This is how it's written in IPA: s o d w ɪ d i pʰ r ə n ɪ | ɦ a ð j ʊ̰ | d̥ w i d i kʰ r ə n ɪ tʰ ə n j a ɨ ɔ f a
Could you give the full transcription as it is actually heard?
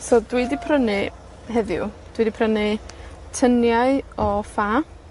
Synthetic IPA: s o d w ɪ d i pʰ r ə n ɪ | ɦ ɛ ð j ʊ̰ | d̥ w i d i pʰ r ə n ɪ tʰ ə n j a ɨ ɔ f a

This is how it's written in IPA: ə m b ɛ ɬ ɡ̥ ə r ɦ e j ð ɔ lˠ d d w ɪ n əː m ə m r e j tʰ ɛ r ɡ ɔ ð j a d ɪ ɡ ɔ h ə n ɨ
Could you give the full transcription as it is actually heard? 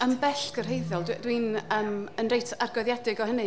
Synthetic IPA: ə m b ɛ ɬ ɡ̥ ə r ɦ e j ð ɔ lˠ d d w i n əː m ə n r e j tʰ a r ɡ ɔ ð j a d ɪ ɡ ɔ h ə n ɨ

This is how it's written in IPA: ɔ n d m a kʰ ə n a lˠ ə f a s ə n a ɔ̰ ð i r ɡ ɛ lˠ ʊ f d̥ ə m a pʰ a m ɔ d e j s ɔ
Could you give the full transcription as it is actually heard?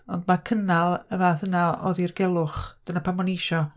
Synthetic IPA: ɔ n d m a kʰ ə n a lˠ ə v a θ ə n a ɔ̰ ð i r ɡ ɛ lˠ ʊ χ d̥ ə n a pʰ a m ɔ n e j ʃ ɔ

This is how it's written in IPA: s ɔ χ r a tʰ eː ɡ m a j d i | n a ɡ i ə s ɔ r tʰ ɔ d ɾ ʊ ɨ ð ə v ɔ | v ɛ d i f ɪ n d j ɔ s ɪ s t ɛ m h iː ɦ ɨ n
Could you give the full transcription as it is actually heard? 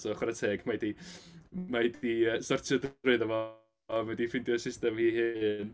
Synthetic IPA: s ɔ χ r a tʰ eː ɡ m a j d i | m a d i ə s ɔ r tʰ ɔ d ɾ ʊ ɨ ð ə v ɔ | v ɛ d i f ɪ n d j ɔ s ɪ s t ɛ m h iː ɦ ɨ n

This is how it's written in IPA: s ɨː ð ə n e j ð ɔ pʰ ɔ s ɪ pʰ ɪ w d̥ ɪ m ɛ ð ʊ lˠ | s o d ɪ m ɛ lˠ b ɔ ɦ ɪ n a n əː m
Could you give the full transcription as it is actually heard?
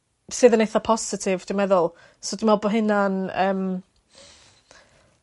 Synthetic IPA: s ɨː ð ə n e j θ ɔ pʰ ɔ s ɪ tʰ ɪ v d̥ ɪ m ɛ ð ʊ lˠ | s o d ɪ m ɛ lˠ b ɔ ɦ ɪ n a n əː m

